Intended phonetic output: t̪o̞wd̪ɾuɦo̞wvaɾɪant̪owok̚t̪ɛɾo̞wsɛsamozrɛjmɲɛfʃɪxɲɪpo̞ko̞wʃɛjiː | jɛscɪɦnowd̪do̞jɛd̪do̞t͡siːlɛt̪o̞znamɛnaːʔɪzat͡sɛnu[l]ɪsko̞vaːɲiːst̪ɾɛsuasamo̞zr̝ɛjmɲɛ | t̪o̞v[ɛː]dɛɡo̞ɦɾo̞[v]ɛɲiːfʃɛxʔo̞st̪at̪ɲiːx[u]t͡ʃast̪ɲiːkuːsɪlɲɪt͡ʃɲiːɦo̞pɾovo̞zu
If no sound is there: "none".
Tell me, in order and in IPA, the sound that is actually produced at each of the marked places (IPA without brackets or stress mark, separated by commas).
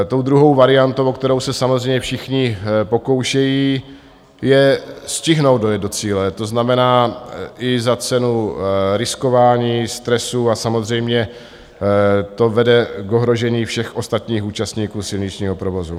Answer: ɾ, ɛ, ʒ, uː